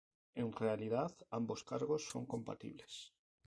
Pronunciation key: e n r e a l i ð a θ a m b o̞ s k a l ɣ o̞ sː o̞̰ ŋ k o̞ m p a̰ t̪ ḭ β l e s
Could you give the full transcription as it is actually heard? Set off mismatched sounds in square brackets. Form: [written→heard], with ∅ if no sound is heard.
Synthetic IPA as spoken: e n r e a l i ð a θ a m b o̞ s k a [l→ɾ] ɣ o̞ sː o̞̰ ŋ k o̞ m p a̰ t̪ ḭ β l e s